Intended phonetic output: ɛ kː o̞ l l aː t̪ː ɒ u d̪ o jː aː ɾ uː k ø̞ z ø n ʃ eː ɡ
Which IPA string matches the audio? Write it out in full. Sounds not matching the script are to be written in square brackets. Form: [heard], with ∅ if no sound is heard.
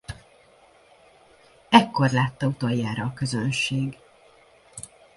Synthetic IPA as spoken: ɛ kː o̞ [r] l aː t̪ː ɒ u [t̪] o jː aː ɾ [ɒː] k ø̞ z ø n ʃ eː ɡ